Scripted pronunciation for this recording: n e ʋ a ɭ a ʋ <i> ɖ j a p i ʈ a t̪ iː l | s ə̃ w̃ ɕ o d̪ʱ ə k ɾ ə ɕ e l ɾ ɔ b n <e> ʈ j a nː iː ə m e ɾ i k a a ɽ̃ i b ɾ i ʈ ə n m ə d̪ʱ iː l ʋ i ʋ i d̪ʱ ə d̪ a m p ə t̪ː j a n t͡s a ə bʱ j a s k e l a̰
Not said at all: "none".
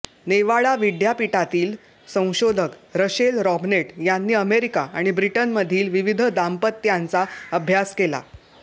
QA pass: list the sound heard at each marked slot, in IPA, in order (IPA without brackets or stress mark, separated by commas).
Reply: i, e